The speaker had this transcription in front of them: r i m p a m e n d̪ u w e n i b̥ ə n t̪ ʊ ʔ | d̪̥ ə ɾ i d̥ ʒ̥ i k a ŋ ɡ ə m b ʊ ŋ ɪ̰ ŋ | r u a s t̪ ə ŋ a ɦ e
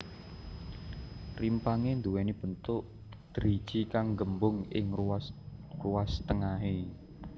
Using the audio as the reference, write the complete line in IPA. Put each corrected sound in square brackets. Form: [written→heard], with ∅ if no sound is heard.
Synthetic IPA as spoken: r i m p a [m→ŋ] e n d̪ u w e n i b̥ ə n t̪ ʊ ʔ | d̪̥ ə ɾ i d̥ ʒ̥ i k a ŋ ɡ ə m b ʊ ŋ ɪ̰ ŋ | r u a s t̪ ə ŋ a ɦ e